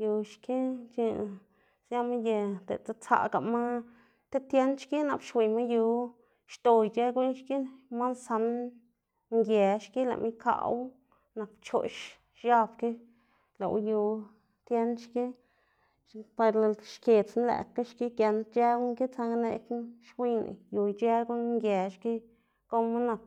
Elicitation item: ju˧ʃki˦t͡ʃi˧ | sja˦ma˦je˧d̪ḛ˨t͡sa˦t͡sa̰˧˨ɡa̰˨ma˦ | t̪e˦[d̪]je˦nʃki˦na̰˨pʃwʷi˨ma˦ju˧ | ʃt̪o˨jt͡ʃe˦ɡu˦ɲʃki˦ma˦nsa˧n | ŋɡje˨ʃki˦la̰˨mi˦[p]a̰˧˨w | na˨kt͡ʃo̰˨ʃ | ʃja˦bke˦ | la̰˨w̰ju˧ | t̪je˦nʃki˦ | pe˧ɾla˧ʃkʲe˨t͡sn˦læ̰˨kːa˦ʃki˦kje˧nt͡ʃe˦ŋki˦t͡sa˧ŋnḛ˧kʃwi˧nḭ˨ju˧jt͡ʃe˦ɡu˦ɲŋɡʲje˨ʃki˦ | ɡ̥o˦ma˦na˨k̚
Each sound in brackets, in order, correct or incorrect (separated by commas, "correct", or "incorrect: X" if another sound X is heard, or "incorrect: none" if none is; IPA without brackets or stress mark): incorrect: t̪, incorrect: k